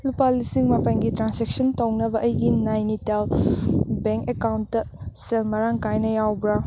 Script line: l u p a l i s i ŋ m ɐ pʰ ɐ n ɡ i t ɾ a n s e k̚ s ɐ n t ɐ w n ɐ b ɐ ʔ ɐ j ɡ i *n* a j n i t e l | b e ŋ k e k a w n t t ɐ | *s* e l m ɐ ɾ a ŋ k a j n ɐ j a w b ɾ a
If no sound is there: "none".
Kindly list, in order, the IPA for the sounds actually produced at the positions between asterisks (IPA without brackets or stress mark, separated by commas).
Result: n, s